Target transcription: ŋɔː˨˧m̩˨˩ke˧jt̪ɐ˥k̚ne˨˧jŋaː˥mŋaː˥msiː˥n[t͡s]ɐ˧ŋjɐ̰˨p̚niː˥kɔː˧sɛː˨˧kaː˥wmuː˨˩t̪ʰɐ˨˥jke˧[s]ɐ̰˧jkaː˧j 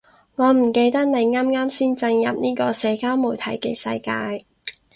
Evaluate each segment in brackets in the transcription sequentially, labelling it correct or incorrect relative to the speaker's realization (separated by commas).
correct, correct